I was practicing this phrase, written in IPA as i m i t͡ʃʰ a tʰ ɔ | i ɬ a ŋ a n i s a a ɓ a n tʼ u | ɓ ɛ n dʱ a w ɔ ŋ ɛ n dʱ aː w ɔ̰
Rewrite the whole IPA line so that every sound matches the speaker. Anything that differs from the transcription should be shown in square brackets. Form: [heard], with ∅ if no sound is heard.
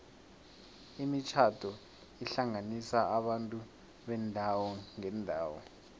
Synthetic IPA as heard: i m i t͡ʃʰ a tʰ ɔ | i ɬ a ŋ a n i s a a ɓ a n tʼ u | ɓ ɛ n dʱ a w ɔ ŋ ɛ n dʱ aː w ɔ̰